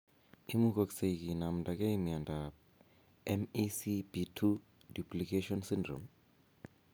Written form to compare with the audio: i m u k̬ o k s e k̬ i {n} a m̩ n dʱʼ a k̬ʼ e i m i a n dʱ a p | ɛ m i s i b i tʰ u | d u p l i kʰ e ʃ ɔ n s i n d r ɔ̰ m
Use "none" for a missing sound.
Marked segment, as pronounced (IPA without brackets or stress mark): n